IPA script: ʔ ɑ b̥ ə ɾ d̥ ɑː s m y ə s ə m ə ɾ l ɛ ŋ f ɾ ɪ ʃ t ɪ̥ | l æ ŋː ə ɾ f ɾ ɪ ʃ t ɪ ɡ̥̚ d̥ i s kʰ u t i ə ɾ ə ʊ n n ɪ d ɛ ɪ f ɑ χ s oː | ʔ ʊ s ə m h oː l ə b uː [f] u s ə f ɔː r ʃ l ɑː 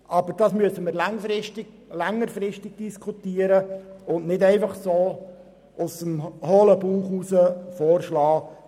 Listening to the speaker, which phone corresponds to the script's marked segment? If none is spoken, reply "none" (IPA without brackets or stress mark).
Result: χ